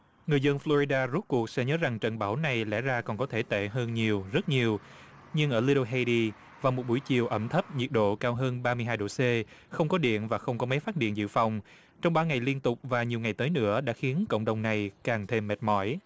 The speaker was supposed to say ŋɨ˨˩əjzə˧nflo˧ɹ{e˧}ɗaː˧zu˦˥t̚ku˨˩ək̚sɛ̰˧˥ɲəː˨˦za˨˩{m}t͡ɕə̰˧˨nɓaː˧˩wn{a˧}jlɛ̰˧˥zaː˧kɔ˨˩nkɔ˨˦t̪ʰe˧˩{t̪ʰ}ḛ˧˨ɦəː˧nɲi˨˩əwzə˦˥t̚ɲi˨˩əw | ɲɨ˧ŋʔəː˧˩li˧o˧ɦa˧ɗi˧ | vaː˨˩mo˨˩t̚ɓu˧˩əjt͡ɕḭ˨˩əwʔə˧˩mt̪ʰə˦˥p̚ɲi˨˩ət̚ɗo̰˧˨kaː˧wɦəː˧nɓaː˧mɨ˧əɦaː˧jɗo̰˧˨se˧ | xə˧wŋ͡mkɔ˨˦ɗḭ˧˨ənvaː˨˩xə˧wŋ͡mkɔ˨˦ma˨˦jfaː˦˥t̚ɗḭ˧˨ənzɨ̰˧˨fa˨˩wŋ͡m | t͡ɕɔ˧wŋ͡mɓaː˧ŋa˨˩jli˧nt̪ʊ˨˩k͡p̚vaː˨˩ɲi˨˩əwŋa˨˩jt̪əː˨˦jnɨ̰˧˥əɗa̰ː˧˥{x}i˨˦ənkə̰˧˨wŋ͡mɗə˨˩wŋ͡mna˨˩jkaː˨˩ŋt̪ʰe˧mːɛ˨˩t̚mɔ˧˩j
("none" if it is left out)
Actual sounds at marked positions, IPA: i˧, ŋ, a˨˩, t̪, x

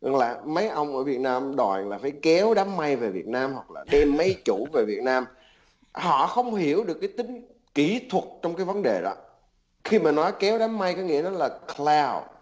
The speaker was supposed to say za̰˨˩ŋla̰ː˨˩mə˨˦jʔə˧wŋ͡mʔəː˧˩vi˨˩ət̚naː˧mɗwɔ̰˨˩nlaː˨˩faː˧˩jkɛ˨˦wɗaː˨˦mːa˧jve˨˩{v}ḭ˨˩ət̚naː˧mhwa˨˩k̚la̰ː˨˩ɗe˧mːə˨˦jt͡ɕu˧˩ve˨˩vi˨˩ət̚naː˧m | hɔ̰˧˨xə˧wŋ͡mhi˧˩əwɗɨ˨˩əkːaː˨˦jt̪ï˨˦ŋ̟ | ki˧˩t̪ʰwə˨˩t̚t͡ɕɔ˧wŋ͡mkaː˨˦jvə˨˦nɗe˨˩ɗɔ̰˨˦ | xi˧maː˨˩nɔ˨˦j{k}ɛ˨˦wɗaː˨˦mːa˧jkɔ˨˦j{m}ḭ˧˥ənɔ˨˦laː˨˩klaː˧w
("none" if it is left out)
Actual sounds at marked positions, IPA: v, k, ŋ

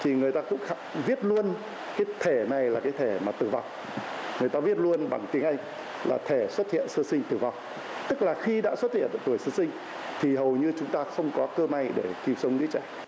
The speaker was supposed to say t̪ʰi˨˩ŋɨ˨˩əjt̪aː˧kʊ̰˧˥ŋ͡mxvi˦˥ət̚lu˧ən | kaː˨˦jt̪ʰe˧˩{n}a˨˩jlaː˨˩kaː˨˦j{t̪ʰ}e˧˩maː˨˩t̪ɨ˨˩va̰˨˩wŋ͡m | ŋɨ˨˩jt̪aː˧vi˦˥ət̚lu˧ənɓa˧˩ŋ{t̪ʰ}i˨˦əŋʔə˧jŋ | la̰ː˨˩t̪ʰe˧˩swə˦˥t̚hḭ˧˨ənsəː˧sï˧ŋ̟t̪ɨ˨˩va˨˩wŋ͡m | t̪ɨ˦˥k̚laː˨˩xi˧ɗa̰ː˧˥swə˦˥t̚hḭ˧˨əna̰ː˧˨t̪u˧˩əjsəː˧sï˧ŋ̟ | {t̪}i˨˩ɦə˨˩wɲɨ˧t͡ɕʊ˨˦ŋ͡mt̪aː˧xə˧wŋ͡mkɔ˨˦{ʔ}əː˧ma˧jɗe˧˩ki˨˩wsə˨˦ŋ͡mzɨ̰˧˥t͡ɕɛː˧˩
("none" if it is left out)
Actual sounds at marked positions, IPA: n, t̪ʰ, t̪, t̪ʰ, k

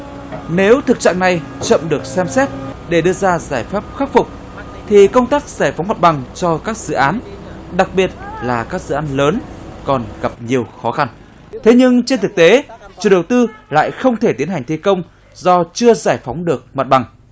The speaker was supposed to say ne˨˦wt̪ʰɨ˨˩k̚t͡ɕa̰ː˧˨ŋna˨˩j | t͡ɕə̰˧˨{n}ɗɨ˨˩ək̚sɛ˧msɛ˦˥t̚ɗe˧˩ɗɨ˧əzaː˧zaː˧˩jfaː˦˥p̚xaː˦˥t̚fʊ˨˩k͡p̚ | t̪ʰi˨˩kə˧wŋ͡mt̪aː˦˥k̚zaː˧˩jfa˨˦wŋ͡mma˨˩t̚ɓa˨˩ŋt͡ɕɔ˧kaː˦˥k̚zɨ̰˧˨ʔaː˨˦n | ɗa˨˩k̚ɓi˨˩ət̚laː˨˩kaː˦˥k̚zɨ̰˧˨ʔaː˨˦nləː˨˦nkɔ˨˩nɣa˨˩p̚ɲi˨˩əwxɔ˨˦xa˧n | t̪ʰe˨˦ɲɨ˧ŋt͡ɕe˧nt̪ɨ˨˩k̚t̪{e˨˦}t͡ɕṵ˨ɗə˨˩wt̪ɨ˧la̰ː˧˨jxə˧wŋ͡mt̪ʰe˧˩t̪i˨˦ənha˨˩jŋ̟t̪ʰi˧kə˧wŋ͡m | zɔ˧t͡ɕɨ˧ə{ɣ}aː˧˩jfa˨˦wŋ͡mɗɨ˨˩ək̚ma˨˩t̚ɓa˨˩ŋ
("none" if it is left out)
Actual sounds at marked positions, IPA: m, e˨˦, z

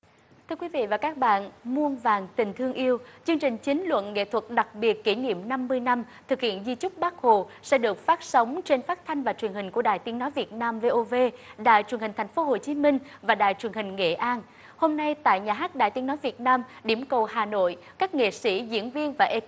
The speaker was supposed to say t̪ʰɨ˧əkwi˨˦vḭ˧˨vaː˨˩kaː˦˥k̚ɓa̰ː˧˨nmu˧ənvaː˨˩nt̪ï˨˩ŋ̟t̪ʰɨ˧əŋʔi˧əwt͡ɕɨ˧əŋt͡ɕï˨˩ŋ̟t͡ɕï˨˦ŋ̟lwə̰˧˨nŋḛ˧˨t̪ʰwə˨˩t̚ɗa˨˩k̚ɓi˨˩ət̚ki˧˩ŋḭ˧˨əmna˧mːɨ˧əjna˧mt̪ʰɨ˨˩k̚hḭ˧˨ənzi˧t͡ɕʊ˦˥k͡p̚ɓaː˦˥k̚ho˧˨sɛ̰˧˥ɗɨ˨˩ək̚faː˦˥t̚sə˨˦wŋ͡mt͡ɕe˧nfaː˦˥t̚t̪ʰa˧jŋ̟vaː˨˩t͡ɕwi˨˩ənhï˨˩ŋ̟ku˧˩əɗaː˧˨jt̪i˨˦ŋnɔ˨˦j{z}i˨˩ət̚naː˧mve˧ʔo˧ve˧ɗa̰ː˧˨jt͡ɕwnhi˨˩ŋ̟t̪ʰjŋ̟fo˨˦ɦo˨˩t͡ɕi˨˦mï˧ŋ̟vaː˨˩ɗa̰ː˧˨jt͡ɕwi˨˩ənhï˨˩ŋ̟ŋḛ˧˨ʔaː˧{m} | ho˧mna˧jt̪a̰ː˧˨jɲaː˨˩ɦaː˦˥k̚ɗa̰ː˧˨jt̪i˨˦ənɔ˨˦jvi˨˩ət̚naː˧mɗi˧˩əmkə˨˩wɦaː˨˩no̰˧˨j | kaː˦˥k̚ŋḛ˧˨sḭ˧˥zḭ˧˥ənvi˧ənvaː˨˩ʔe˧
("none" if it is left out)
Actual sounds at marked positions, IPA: v, n

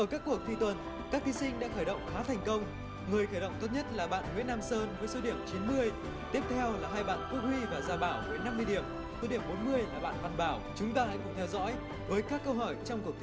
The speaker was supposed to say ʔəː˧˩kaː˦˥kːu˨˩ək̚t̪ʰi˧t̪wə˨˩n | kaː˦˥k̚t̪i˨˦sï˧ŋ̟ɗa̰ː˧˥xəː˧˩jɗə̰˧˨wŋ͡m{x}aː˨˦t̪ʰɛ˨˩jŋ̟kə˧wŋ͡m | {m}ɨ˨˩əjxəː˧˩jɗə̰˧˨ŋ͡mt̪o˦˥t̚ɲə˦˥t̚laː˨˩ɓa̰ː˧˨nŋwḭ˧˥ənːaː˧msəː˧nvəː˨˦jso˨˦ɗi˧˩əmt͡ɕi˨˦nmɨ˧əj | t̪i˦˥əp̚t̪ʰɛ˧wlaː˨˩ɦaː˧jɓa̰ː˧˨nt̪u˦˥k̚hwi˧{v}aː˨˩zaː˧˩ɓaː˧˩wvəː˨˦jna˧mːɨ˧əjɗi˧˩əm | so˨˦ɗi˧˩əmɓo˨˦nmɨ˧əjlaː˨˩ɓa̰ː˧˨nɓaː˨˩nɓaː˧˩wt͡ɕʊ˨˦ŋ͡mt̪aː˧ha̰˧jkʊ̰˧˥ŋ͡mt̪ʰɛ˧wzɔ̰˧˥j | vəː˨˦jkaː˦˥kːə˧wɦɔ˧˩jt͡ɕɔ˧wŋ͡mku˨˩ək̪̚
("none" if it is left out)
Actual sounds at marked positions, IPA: x, ŋ, v

